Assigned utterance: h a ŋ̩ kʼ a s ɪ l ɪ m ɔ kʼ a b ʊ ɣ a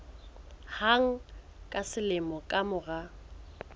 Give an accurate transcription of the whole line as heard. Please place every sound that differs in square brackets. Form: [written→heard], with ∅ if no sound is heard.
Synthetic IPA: h a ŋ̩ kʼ a s ɪ l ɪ m ɔ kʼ a [b→m] ʊ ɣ a